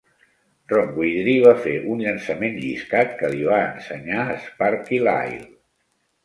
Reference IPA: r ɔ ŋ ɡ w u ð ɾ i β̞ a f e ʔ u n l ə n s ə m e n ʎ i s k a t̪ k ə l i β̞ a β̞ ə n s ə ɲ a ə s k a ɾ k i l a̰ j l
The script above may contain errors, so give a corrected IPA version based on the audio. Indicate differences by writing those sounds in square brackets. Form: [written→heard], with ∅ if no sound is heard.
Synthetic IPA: r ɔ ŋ ɡ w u ð ɾ i β̞ a f e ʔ u n [l→ʎ] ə n s ə m e n ʎ i s k a t̪ k ə l i β̞ a [β̞→∅] ə n s ə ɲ a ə s [k→p] a ɾ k i l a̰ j l